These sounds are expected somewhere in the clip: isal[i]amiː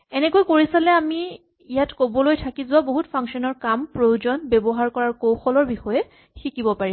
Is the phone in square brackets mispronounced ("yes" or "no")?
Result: yes